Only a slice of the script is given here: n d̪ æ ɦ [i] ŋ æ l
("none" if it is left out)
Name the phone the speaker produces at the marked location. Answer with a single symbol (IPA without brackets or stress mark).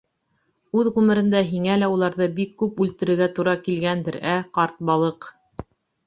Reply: i